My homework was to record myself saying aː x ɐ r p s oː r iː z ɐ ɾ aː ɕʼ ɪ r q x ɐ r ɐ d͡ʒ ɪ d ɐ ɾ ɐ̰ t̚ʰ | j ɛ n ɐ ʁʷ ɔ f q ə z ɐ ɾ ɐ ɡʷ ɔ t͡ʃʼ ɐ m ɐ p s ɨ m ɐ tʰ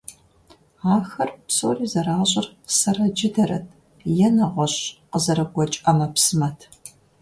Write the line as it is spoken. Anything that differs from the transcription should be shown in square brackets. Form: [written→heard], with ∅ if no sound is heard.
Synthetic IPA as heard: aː x ɐ r p s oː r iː z ɐ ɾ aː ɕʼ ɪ r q [x→s] ɐ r ɐ d͡ʒ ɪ d ɐ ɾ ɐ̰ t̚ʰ | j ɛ n ɐ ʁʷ ɔ [f→ɕ] q ə z ɐ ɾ ɐ ɡʷ ɔ t͡ʃʼ ɐ m ɐ p s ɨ m ɐ tʰ